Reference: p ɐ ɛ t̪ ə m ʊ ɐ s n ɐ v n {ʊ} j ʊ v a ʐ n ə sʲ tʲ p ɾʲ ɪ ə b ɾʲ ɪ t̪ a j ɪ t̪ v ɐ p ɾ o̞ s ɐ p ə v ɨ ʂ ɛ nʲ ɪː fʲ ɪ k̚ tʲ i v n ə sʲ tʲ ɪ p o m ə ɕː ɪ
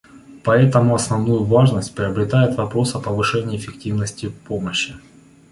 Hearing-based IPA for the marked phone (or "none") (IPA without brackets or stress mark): u